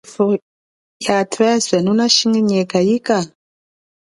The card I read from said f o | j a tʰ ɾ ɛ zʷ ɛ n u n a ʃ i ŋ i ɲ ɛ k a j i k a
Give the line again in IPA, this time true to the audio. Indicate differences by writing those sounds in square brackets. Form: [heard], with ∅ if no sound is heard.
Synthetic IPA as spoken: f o | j a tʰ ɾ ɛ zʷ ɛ n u n a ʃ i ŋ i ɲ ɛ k a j i k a